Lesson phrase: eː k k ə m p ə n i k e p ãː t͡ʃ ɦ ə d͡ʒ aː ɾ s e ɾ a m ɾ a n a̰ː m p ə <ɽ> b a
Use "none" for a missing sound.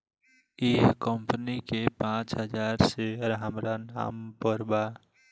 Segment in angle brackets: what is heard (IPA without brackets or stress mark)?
ɾ